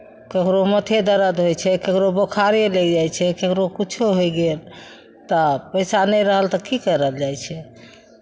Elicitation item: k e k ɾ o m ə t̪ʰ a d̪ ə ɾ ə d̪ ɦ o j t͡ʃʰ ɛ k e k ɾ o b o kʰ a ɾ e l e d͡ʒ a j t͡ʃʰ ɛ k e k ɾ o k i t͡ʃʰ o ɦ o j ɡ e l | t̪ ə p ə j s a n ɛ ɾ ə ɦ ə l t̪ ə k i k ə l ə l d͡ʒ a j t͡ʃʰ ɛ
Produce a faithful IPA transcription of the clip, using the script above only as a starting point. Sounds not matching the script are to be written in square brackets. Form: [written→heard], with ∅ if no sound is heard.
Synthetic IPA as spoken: k e k ɾ o m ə t̪ʰ [a→e] d̪ ə ɾ ə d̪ ɦ o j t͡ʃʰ ɛ k e k ɾ o b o kʰ a ɾ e l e d͡ʒ a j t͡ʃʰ ɛ k e k ɾ o k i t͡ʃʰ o ɦ o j ɡ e l | t̪ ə p ə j s a n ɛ ɾ ə ɦ ə l t̪ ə k i k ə [l→ɾ] ə l d͡ʒ a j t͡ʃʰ ɛ

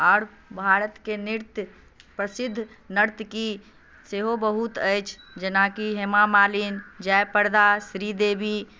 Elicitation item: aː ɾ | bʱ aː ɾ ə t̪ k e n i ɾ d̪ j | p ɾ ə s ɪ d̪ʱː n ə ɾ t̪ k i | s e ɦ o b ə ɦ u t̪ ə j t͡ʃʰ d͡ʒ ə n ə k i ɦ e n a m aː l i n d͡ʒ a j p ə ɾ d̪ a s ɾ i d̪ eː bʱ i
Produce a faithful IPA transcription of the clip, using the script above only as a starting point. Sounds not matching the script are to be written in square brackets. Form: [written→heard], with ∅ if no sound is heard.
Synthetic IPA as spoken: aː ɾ | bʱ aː ɾ ə t̪ k e n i ɾ [d̪→t̪] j | p ɾ ə s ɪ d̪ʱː n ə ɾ t̪ k i | s e ɦ o b ə ɦ u t̪ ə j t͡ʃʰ d͡ʒ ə n [ə→a] k i ɦ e [n→m] a m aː l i n d͡ʒ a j p ə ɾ d̪ a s ɾ i d̪ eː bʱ i

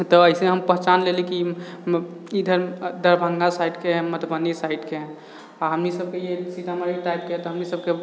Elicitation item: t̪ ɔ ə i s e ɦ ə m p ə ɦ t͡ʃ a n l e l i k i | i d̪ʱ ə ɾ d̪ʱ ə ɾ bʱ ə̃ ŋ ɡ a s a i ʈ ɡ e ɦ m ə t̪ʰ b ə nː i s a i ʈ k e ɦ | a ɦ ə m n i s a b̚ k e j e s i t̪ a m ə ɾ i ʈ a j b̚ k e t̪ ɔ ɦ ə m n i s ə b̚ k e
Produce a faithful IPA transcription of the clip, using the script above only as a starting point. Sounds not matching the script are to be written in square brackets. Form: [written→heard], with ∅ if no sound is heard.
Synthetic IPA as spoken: t̪ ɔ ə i s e ɦ ə m p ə ɦ t͡ʃ a n l e l i k i | i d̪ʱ ə ɾ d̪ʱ ə ɾ bʱ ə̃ ŋ ɡ a s a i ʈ [ɡ→k] e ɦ m ə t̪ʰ b ə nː i s a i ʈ k e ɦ | a ɦ ə m n i s [a→ə] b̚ k e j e s i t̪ a m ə ɾ i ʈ a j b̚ k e t̪ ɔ ɦ ə m n i s ə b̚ k e

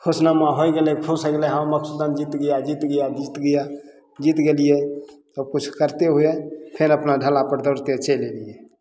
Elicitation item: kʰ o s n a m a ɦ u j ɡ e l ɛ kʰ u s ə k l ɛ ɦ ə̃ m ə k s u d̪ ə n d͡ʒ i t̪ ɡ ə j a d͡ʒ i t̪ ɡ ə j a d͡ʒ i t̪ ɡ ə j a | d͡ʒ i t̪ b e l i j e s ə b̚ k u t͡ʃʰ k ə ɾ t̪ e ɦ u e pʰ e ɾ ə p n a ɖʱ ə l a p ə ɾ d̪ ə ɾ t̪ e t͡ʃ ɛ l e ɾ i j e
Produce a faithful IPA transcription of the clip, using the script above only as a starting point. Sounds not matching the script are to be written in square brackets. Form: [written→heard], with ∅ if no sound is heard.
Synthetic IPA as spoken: kʰ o s n a m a ɦ [u→o] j ɡ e l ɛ kʰ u s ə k l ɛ ɦ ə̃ m ə k s u d̪ ə n d͡ʒ i t̪ ɡ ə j a d͡ʒ i t̪ ɡ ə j a d͡ʒ i t̪ ɡ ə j a | d͡ʒ i t̪ [b→ɡ] e l i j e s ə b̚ k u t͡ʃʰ k ə ɾ t̪ e ɦ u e pʰ e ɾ ə p n a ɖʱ ə l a p ə ɾ d̪ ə ɾ t̪ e t͡ʃ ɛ l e [ɾ→l] i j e

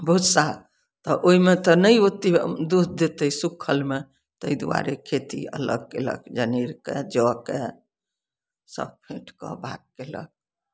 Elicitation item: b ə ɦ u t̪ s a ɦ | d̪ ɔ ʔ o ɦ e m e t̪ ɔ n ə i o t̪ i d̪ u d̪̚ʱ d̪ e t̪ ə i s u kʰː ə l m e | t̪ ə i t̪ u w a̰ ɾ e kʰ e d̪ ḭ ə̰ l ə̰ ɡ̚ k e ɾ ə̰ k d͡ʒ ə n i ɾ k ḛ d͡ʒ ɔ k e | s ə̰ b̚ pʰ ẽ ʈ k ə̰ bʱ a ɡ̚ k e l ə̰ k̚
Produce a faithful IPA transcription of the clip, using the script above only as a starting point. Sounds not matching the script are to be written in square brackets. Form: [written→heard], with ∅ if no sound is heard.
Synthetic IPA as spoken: b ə ɦ u t̪ s a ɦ | [d̪→t̪] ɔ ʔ o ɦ [e→i] m e t̪ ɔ n ə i o t̪ i d̪ u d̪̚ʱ d̪ e t̪ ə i s u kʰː ə l m e | t̪ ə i [t̪→d̪] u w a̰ ɾ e kʰ e [d̪→t̪] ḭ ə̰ l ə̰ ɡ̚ k e [ɾ→l] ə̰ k d͡ʒ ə n i ɾ k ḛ d͡ʒ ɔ k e | s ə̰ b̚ pʰ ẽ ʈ k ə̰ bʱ a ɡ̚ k e l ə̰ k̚

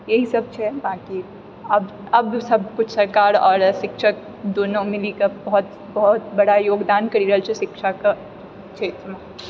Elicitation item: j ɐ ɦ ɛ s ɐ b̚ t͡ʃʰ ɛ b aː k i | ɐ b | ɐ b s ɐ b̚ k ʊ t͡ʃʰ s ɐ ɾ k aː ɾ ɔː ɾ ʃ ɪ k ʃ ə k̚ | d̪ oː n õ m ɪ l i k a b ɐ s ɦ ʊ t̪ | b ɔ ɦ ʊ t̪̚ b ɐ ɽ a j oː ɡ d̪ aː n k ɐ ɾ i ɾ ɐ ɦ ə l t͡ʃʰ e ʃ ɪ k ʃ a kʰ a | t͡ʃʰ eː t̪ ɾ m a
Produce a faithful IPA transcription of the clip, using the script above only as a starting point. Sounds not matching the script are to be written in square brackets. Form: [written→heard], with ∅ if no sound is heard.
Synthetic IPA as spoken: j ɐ ɦ [ɛ→i] s ɐ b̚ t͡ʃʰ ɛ b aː k i | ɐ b | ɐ b s ɐ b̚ k ʊ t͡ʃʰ s ɐ ɾ k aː ɾ ɔː ɾ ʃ ɪ k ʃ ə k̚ | d̪ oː n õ m ɪ l i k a b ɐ [s→∅] ɦ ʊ t̪ | b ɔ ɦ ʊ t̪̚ b ɐ ɽ a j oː ɡ d̪ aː n k ɐ ɾ i ɾ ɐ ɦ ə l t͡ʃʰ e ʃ ɪ k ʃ a [kʰ→k] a | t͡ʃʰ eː t̪ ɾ m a

